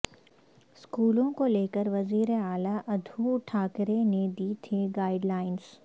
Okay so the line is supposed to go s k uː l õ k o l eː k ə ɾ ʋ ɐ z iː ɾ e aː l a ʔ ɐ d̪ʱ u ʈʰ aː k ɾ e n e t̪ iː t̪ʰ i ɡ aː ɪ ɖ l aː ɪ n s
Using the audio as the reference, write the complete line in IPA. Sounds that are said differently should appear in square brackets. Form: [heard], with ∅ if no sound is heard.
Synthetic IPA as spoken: s k uː l õ k o l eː k ə ɾ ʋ ɐ z iː ɾ e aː l a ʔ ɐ d̪ʱ u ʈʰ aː k ɾ e n e [d̪] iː t̪ʰ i ɡ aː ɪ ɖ l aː ɪ n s